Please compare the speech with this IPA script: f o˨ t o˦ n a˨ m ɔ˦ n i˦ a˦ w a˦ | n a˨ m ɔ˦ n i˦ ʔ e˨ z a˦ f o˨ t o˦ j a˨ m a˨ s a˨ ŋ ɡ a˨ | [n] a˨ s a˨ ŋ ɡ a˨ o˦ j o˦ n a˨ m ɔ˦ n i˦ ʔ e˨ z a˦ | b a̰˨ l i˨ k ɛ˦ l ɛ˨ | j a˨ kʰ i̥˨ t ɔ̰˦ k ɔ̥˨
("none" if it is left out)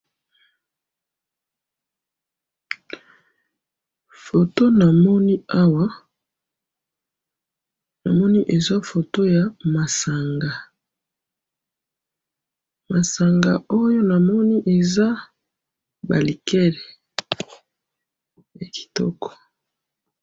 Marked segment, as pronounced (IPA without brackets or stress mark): m